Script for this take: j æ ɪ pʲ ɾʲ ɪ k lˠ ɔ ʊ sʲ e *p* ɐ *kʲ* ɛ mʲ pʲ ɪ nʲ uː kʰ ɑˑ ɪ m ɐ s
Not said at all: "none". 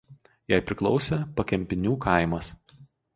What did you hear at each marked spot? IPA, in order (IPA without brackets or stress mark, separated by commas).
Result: p, kʲ